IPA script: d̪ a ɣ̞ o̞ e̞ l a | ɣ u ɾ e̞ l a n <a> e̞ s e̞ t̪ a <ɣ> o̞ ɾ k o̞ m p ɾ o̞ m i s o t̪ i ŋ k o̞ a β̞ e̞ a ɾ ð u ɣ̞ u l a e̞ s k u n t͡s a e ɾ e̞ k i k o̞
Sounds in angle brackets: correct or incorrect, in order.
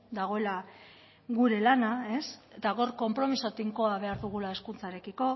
correct, correct

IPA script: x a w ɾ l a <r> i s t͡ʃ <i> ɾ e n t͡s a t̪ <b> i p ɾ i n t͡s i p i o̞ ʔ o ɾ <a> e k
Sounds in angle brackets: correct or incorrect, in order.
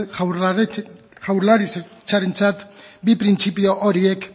incorrect, incorrect, correct, incorrect

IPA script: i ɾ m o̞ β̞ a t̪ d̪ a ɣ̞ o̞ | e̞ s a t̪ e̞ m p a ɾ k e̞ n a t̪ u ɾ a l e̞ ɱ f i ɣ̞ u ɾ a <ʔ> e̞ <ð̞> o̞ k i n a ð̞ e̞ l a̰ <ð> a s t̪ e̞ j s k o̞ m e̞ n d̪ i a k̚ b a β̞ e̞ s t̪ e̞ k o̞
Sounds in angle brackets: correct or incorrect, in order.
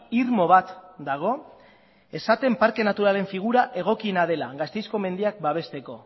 correct, incorrect, incorrect

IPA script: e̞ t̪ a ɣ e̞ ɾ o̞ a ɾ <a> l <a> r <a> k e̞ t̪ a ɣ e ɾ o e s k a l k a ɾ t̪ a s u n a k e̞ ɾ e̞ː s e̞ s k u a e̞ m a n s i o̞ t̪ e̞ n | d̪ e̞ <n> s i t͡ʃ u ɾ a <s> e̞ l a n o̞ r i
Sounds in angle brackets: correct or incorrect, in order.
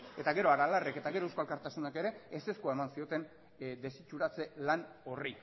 correct, correct, incorrect, incorrect, incorrect

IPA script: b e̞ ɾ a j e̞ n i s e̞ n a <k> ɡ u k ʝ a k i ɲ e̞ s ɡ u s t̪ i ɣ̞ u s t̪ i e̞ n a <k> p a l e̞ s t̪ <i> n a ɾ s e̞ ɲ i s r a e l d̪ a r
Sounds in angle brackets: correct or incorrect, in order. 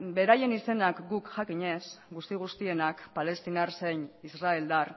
correct, correct, correct

